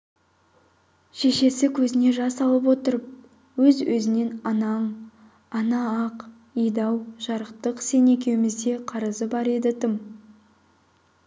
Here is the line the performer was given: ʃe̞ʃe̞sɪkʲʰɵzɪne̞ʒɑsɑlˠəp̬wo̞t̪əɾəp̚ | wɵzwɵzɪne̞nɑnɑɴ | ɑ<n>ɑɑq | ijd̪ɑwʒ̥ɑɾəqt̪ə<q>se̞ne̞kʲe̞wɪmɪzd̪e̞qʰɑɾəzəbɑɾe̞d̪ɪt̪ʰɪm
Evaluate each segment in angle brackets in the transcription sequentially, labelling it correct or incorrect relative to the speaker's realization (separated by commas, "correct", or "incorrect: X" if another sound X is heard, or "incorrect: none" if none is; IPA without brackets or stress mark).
correct, correct